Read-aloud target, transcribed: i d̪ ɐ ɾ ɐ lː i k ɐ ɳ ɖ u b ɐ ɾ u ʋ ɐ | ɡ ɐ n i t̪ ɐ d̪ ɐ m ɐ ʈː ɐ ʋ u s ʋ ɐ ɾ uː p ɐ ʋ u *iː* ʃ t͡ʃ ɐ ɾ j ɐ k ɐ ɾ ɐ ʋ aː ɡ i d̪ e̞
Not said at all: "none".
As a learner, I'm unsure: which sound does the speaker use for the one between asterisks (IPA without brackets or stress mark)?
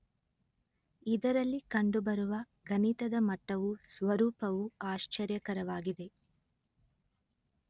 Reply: aː